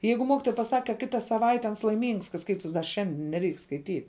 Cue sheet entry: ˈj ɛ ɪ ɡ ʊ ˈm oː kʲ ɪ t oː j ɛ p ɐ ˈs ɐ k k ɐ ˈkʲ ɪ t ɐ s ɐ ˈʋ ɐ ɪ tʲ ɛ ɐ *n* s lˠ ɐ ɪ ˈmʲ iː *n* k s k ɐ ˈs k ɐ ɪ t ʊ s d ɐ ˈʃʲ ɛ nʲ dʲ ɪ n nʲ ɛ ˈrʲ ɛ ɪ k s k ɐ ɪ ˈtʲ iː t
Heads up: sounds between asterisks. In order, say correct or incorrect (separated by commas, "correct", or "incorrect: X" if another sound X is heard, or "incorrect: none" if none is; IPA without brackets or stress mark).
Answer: correct, incorrect: ŋ